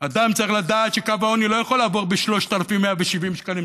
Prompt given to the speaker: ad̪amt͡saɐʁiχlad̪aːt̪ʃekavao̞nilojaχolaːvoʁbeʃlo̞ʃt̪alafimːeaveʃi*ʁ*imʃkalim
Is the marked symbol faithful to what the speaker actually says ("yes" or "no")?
no